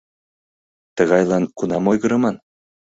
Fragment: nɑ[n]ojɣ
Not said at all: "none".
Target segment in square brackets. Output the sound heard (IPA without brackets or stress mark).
m